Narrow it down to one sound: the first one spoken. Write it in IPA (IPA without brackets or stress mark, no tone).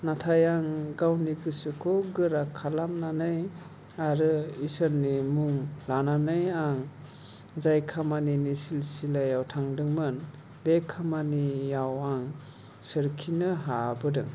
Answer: n